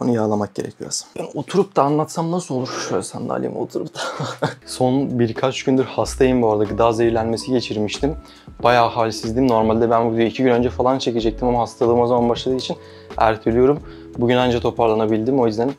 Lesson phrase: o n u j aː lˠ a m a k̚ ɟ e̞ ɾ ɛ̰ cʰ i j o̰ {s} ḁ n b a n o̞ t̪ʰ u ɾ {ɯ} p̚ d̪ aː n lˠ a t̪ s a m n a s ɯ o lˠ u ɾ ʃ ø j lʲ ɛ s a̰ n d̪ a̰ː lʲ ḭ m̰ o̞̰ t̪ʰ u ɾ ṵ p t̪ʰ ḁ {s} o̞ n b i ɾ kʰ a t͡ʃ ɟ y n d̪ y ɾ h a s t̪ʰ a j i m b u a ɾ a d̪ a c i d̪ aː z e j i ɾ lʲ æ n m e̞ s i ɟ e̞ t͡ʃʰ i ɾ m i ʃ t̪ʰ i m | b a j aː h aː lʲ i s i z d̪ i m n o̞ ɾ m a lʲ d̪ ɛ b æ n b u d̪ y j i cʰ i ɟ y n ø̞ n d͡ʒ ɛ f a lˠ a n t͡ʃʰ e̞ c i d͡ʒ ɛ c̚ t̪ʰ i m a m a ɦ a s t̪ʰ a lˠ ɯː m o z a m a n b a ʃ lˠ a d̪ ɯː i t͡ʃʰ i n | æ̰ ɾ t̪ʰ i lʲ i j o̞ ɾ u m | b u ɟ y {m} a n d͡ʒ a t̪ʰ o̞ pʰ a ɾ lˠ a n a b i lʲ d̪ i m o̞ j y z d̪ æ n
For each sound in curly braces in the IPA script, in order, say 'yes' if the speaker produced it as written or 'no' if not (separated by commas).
yes, no, yes, no